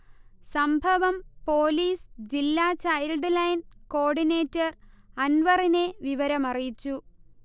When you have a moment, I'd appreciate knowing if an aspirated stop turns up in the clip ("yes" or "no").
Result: no